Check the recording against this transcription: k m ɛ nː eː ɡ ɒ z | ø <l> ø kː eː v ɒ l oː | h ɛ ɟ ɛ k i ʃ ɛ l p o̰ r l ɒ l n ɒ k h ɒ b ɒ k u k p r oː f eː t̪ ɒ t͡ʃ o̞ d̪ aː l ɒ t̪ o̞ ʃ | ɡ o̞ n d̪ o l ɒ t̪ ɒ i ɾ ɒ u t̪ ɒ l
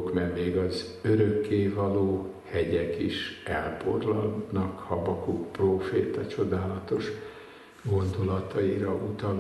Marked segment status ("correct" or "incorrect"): incorrect